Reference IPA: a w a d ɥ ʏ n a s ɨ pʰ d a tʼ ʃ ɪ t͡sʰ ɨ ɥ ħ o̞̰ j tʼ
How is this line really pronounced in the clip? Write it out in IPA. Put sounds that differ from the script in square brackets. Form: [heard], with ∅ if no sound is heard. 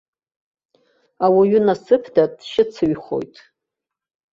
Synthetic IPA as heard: a w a [∅] ɥ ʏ n a s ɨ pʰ d a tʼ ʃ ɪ t͡sʰ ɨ ɥ [χ] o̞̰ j tʼ